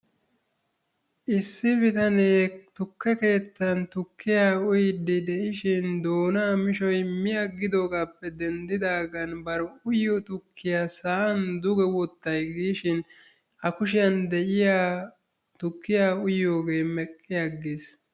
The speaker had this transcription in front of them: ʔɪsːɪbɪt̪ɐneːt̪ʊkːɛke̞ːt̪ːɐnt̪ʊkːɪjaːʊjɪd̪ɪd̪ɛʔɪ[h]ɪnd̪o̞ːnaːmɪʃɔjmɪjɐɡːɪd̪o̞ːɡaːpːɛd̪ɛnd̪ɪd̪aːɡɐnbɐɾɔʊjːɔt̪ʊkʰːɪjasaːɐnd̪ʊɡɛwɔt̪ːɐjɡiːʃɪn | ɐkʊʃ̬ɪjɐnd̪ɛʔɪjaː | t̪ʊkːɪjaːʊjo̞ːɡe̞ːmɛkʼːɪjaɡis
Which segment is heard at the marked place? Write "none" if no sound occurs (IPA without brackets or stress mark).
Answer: ʃ